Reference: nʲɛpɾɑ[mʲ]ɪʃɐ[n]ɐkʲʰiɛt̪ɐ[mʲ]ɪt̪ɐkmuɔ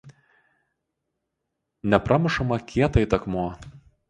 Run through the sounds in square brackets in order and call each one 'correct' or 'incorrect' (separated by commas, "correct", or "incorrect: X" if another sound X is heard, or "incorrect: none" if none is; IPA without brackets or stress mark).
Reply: correct, incorrect: m, incorrect: none